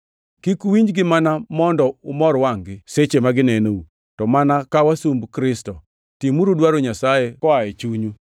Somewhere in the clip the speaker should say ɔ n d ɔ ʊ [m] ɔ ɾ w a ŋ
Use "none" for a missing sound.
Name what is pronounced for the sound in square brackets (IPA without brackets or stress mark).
m